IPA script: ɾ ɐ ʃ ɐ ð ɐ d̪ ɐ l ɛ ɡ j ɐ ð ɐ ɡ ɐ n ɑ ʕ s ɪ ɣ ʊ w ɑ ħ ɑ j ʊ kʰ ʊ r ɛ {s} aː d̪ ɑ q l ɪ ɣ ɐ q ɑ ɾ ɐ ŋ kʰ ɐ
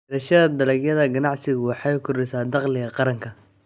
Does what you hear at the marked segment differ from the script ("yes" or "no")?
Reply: no